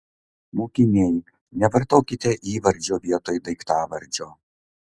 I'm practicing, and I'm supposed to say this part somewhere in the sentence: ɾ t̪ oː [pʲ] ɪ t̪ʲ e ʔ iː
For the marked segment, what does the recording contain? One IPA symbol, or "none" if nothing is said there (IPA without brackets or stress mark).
kʲ